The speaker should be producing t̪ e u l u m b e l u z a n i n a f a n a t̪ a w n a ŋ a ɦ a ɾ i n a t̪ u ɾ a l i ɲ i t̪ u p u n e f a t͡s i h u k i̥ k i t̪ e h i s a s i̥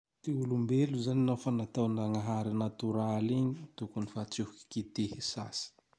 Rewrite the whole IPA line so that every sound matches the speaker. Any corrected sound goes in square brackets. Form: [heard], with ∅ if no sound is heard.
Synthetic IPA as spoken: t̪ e u l u m b e l u z a n i n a f a n a t̪ a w n a ŋ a ɦ a ɾ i n a t̪ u ɾ a l i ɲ i t̪ u [k] u n [i] f a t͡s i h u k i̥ k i t̪ e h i s a s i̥